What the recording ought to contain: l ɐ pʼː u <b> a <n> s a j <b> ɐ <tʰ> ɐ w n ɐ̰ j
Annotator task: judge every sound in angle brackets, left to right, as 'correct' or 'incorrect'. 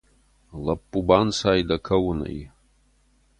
correct, correct, incorrect: d, incorrect: kʰ

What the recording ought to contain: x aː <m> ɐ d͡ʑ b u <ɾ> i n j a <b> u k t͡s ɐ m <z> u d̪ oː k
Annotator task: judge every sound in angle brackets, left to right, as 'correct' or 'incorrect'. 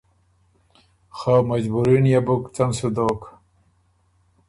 correct, correct, correct, incorrect: s

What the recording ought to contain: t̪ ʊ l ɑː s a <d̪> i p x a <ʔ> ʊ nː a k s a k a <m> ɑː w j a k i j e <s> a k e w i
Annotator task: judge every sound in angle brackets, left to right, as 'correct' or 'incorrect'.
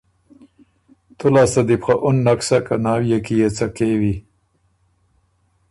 correct, correct, incorrect: n, incorrect: t͡s

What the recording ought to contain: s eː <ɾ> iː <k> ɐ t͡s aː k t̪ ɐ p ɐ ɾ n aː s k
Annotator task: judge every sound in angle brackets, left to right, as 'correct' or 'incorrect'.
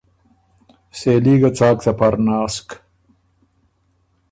incorrect: l, incorrect: ɡ

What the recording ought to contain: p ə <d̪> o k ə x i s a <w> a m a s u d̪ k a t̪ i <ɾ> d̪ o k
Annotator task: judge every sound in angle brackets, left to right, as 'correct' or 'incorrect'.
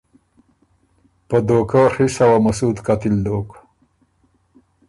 correct, correct, incorrect: l

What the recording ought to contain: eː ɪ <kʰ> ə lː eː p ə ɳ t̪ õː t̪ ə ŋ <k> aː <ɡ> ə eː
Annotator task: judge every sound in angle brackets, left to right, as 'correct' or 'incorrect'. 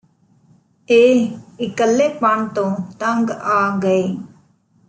incorrect: k, incorrect: ɡ, correct

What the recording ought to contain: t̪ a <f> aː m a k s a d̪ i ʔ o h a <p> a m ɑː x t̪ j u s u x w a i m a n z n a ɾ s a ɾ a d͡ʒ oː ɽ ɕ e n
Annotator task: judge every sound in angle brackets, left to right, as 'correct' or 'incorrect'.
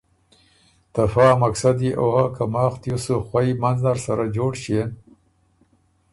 correct, incorrect: k

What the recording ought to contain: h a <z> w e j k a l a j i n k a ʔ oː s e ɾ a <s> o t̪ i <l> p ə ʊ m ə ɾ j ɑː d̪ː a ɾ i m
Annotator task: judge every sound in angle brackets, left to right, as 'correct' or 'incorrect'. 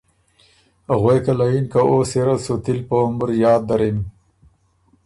incorrect: ɣ, correct, correct

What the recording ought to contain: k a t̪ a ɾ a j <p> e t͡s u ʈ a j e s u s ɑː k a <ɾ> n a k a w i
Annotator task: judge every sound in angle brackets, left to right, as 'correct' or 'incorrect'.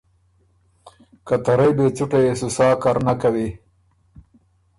incorrect: b, correct

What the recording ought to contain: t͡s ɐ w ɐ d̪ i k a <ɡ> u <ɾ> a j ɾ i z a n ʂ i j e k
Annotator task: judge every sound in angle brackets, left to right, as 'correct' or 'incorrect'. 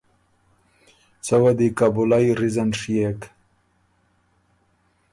incorrect: b, incorrect: l

